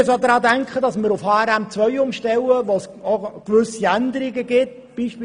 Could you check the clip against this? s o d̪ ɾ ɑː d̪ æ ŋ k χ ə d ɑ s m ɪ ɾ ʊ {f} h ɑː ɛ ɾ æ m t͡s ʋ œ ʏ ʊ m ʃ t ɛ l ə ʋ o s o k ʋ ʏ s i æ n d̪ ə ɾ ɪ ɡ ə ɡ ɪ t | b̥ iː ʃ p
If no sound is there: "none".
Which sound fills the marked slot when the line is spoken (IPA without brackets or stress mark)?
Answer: f